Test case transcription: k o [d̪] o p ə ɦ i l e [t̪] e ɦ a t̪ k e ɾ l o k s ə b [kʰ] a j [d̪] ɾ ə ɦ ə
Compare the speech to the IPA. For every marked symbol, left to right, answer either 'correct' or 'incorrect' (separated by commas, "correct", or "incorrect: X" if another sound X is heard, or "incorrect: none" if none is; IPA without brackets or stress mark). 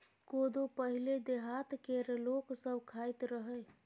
correct, incorrect: d̪, correct, incorrect: t̪